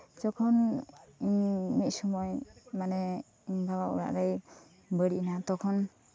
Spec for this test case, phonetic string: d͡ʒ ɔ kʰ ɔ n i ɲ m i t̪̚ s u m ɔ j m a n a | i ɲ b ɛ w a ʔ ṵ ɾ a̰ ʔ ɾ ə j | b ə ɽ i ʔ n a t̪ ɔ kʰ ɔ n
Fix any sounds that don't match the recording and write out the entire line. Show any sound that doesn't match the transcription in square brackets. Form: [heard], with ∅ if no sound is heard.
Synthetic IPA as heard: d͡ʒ ɔ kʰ ɔ n i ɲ m i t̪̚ s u m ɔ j m a n [ɛ] | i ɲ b [a] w a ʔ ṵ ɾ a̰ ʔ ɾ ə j | b ə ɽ i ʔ n a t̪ ɔ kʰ ɔ n